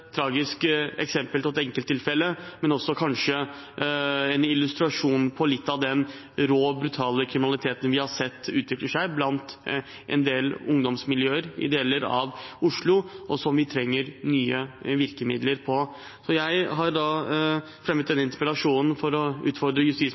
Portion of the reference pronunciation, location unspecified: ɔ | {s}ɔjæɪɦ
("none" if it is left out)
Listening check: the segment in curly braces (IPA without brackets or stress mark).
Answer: s